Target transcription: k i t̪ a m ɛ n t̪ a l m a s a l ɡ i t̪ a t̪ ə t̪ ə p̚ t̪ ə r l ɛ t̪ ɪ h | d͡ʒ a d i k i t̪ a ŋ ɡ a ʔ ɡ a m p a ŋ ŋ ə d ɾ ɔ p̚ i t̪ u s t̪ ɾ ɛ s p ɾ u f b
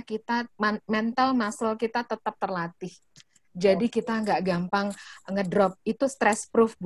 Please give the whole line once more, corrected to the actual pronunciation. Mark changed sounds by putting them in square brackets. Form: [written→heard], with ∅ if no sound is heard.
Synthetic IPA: k i t̪ a m ɛ n t̪ a l m a s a l [ɡ→k] i t̪ a t̪ ə t̪ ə p̚ t̪ ə r l [ɛ→a] t̪ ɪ h | d͡ʒ a d i k i t̪ a ŋ ɡ a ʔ ɡ a m p a ŋ ŋ ə d ɾ ɔ p̚ i t̪ u s t̪ ɾ ɛ s p ɾ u f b